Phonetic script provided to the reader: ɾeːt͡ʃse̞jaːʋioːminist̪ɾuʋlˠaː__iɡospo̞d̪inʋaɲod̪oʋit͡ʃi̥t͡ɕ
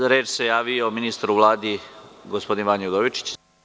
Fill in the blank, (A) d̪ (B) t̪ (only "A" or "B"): A